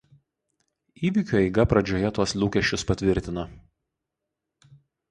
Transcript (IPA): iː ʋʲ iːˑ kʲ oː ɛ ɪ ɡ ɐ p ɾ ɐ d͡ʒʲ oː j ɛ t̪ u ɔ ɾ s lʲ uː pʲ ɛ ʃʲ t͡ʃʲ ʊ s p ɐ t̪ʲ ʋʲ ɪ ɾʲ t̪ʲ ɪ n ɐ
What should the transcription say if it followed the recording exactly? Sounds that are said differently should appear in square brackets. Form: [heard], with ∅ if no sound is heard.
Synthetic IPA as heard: iː ʋʲ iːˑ kʲ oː ɛ ɪ ɡ ɐ p ɾ ɐ d͡ʒʲ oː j ɛ t̪ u ɔ [∅] s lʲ uː [kʲ] ɛ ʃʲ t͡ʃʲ ʊ s p ɐ t̪ʲ ʋʲ ɪ ɾʲ t̪ʲ ɪ n ɐ